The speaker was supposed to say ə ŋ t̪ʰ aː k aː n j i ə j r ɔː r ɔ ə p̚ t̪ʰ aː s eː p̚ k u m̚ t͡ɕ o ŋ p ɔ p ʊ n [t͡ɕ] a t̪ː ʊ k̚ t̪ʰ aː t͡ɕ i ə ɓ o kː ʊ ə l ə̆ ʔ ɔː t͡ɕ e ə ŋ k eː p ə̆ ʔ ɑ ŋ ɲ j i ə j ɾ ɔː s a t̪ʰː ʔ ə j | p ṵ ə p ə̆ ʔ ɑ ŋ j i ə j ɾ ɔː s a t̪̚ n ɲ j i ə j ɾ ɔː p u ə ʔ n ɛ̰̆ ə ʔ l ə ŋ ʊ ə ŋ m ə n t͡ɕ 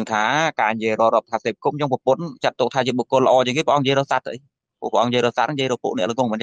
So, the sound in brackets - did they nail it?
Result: yes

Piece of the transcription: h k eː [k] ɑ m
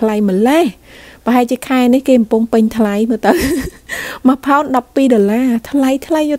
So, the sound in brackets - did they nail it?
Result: yes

